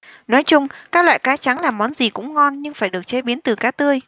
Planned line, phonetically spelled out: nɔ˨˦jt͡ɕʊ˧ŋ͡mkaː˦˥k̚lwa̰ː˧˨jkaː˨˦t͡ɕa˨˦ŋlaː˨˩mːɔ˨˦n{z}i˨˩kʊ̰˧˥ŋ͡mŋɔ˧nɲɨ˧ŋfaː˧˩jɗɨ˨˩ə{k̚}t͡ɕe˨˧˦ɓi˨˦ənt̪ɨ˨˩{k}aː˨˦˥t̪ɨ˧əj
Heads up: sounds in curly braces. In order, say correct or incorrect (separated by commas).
correct, correct, correct